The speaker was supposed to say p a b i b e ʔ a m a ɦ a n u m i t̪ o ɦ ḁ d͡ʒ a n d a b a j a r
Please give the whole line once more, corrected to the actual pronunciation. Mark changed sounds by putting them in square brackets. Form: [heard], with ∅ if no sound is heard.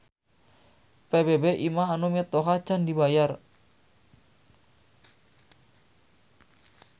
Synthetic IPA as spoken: p [e] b [e] b e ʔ [i] m a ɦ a n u m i t̪ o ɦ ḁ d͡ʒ a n d [i] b a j a r